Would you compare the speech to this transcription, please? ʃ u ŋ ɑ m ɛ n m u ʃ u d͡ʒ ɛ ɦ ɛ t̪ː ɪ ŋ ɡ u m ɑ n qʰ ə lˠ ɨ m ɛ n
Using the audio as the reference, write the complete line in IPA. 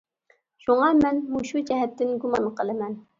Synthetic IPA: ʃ u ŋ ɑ m ɛ n m u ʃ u d͡ʒ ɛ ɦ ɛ t̪ː ɪ n ɡ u m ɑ n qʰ ə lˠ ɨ m ɛ n

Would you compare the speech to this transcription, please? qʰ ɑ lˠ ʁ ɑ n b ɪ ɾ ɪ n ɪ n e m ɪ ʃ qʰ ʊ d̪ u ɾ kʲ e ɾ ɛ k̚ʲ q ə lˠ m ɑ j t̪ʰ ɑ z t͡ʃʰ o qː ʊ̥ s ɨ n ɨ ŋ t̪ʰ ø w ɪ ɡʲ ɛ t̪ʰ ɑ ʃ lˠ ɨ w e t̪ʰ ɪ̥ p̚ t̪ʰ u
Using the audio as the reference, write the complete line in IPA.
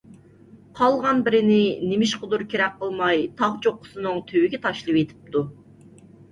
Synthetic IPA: qʰ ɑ lˠ ʁ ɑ n b ɪ ɾ ɪ n ɪ n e m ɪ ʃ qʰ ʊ d̪ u ɾ kʲ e ɾ ɛ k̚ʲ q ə lˠ m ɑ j t̪ʰ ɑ ʁ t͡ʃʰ o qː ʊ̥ s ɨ n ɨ ŋ t̪ʰ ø w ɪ ɡʲ ɛ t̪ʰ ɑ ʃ lˠ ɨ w e t̪ʰ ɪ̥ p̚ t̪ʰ u

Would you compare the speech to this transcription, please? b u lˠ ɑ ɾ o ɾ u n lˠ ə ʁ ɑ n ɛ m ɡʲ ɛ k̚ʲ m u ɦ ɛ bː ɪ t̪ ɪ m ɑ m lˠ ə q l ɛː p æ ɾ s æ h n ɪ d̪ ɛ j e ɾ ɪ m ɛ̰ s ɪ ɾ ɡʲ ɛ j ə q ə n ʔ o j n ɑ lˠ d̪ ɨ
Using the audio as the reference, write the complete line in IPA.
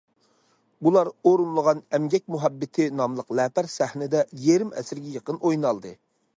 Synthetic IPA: b u lˠ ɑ ɾ o ɾ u n lˠ ə ʁ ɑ n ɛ m ɡʲ ɛ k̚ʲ m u ɦ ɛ bː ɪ t̪ʰ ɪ n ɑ m lˠ ə q l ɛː p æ ɾ s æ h n ɪ d̪ ɛ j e ɾ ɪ m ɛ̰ s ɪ ɾ ɡʲ ɛ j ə q ə n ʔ o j n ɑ lˠ d̪ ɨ

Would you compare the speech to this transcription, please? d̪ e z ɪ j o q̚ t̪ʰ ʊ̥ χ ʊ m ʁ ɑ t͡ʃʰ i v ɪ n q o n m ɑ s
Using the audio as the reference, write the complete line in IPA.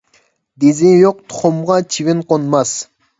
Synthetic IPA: d̪ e z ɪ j o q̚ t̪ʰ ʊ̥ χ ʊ m ʁ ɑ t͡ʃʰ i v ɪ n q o n m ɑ s

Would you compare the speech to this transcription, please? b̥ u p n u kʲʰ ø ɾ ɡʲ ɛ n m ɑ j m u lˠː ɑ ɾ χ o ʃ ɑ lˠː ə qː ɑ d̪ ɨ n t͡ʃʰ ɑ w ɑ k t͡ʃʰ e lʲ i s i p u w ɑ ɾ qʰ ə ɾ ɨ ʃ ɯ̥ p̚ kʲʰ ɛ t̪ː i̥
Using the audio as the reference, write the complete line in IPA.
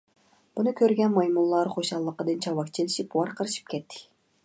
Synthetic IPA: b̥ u n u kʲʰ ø ɾ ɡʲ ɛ n m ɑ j m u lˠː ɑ ɾ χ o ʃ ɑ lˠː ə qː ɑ d̪ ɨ n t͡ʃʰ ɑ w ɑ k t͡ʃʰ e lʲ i ʃ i p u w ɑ ɾ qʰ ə ɾ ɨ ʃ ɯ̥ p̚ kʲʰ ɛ t̪ː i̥

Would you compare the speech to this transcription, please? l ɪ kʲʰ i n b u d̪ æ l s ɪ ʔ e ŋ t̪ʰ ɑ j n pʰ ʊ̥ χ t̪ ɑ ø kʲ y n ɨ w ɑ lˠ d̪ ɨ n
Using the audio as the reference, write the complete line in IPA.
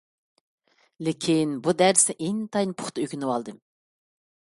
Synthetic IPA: l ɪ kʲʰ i n b u d̪ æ ɾ s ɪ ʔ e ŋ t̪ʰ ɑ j n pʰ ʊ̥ χ t̪ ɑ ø kʲ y n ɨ w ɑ lˠ d̪ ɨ m

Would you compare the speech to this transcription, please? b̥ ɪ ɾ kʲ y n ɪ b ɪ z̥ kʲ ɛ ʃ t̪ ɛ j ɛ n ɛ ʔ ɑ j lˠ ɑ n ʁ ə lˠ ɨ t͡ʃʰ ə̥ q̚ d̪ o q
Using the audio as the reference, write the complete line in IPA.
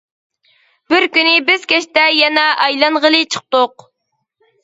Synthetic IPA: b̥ ɪ ɾ kʲ y n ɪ b ɪ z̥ kʲ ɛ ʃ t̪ ɛ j ɛ n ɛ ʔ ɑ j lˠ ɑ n ʁ ə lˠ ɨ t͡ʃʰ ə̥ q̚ t̪ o q

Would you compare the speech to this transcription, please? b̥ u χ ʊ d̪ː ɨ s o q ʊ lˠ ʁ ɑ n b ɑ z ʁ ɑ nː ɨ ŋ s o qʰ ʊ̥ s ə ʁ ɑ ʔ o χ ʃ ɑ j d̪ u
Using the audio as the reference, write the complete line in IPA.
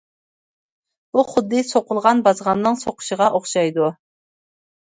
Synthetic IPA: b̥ u χ ʊ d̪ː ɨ s o q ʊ lˠ ʁ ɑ n b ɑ z ʁ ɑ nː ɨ ŋ s o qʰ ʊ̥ ʃ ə ʁ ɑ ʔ o χ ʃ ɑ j d̪ u

